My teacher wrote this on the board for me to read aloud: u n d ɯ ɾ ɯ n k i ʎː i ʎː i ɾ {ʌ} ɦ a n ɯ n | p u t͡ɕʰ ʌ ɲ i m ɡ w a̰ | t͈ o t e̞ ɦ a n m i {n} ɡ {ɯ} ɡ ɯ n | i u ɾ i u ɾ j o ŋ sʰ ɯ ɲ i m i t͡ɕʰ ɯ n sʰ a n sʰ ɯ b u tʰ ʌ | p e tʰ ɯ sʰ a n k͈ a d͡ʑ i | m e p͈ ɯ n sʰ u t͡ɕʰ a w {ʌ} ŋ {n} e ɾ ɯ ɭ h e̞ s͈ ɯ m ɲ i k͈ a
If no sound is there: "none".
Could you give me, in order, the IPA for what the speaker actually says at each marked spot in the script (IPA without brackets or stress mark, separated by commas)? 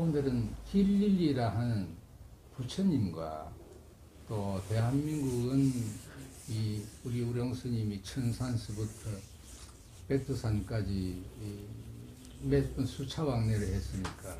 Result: a, ŋ, u, a, n